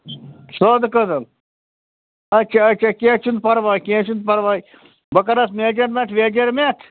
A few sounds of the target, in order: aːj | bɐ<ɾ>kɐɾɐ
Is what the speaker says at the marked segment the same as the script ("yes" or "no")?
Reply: no